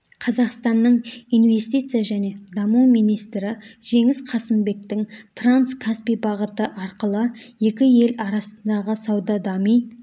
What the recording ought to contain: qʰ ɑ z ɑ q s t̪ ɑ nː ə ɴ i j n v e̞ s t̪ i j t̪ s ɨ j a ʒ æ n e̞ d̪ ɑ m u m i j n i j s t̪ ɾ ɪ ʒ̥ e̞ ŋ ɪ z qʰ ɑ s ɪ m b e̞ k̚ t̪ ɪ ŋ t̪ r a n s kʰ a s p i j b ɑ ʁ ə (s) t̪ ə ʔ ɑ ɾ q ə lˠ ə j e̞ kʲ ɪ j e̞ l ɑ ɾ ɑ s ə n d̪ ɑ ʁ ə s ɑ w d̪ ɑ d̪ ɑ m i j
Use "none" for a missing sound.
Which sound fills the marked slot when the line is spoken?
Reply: none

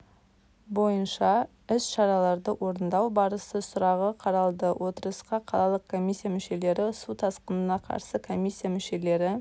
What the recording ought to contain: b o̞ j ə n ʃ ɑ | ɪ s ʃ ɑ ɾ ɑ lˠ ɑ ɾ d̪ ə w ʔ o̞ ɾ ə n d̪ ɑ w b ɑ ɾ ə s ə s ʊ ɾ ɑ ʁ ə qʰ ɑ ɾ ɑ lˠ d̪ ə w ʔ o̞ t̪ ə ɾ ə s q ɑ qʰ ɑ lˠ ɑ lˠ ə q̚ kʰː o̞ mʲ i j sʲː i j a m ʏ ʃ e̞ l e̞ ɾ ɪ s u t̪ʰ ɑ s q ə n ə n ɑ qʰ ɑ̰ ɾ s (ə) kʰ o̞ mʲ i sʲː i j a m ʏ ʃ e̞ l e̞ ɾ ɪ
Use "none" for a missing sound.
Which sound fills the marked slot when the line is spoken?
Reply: ə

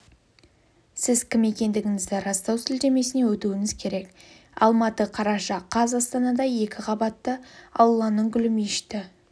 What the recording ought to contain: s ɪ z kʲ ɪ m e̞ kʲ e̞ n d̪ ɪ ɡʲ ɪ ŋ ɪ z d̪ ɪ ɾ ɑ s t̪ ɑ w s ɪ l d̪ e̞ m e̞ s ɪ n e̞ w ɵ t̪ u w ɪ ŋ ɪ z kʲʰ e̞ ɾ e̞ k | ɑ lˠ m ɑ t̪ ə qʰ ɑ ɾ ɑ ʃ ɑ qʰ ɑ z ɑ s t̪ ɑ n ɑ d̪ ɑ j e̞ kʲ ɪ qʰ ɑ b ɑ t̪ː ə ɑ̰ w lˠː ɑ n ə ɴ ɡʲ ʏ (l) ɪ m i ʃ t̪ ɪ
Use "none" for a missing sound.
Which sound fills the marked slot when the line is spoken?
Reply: l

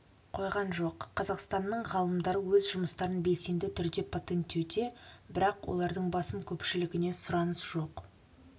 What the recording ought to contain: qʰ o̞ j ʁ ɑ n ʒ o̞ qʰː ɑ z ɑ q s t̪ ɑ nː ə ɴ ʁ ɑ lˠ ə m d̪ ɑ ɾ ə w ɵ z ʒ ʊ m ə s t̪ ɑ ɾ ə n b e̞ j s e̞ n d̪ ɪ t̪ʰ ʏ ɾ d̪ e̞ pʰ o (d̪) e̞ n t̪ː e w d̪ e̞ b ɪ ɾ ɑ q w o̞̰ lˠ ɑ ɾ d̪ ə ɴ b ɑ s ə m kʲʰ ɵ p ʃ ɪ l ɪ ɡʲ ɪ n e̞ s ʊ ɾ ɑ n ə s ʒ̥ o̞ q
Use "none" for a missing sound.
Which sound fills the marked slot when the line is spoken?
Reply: t̪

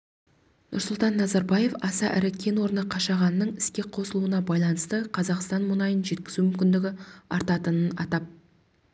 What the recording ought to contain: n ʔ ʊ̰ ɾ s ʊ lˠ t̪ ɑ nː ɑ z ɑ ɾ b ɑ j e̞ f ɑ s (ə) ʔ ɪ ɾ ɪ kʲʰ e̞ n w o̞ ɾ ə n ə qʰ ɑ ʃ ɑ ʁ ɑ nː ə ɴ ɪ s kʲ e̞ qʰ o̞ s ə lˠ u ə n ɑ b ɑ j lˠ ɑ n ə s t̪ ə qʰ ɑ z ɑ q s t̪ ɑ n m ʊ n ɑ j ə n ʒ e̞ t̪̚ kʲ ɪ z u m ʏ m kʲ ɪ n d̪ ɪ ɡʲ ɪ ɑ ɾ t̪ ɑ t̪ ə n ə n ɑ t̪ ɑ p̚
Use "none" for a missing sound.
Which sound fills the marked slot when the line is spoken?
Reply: ɑ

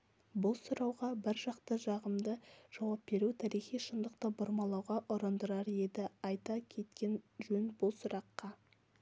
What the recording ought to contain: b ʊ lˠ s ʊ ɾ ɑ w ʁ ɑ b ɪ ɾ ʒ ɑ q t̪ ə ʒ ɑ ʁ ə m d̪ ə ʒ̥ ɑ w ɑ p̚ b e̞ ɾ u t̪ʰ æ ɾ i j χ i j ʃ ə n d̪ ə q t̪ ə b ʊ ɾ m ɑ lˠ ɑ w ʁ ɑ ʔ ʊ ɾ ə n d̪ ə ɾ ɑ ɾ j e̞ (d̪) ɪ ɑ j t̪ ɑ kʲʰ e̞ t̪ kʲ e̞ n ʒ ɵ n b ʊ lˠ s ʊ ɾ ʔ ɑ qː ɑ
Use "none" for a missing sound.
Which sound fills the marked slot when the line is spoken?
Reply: d̪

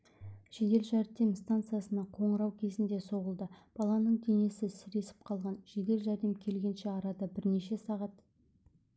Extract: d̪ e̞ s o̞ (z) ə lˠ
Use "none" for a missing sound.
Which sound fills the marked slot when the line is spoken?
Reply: ʁ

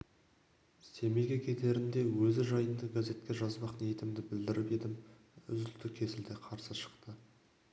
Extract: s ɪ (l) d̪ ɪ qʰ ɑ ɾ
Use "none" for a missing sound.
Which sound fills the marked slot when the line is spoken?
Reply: l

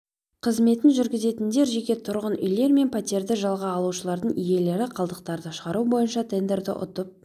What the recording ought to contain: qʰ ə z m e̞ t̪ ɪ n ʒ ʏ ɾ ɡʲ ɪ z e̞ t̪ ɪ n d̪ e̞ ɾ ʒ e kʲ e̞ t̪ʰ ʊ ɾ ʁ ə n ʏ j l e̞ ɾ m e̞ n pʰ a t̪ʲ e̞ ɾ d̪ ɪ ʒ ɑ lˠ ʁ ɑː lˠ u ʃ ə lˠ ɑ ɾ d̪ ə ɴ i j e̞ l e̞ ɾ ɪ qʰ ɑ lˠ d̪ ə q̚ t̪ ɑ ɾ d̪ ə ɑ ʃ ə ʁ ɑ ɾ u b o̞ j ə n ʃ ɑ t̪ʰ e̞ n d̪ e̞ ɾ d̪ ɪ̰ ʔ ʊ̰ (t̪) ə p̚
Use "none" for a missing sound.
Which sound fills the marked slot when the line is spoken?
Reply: t̪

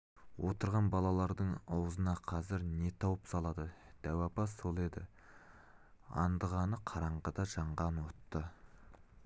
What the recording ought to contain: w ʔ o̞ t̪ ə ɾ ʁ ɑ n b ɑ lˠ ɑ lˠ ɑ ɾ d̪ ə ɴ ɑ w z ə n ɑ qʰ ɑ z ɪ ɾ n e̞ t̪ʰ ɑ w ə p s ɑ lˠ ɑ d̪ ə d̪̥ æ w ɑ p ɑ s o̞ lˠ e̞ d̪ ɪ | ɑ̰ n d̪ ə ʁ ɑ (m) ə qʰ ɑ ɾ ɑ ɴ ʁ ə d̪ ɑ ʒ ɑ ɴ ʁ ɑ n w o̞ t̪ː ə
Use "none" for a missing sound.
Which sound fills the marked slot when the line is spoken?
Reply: n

